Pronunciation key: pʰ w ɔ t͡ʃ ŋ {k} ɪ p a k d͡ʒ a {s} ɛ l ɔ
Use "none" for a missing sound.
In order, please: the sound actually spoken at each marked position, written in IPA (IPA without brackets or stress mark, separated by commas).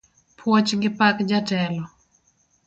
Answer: ɡ, t